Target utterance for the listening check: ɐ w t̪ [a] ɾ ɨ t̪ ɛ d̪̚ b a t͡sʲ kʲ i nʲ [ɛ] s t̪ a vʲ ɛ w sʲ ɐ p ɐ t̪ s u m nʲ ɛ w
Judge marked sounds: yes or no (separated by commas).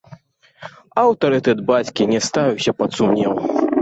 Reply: no, yes